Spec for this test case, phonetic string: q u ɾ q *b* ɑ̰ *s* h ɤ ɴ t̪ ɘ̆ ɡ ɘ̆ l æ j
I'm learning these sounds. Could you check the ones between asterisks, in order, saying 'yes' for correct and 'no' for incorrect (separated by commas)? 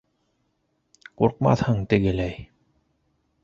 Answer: no, no